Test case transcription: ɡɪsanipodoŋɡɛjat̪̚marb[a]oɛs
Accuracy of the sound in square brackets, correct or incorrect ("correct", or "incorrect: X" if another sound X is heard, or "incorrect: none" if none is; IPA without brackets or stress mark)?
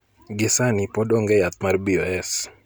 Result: incorrect: i